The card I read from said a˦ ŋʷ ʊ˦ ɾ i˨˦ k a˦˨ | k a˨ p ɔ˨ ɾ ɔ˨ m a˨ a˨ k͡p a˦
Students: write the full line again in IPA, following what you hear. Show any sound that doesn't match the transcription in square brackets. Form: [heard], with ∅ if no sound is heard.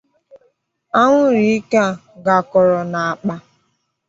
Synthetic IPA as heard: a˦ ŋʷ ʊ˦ ɾ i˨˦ k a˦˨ | [ɡ] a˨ [k] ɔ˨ ɾ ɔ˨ [n] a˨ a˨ k͡p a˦

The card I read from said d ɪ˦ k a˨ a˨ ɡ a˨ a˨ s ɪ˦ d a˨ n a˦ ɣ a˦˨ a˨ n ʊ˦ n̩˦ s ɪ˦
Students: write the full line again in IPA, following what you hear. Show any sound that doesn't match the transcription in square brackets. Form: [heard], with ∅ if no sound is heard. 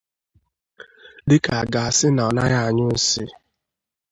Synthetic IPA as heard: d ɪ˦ k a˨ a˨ ɡ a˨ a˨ s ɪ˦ [n] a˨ n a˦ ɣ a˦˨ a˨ [ɲ] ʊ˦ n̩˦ s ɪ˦

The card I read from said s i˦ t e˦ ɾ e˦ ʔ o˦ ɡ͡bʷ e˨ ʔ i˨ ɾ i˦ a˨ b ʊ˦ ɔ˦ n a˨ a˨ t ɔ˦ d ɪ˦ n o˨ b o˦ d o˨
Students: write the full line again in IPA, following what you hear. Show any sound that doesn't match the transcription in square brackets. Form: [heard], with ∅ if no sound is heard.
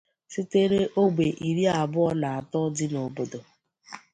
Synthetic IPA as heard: s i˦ t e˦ ɾ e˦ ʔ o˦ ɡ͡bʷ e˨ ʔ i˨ ɾ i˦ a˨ b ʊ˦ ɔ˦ n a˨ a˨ t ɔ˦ d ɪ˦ n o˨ b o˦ d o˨

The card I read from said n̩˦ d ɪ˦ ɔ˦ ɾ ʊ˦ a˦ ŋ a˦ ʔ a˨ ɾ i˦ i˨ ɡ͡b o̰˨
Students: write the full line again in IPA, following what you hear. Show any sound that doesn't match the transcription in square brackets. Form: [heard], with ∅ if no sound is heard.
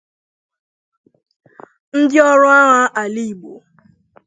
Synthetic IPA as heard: n̩˦ d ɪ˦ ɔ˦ ɾ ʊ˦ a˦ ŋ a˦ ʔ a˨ [l] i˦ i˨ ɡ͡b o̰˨

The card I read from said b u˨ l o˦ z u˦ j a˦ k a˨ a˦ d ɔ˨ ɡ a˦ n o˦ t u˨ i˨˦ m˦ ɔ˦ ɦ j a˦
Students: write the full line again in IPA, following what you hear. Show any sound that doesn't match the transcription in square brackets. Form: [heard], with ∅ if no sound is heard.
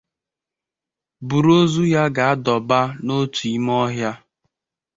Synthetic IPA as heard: b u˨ [ɾ] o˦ z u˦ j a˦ [ɡ] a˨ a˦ d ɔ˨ [b] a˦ n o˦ t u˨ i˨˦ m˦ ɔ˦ ɦ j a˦

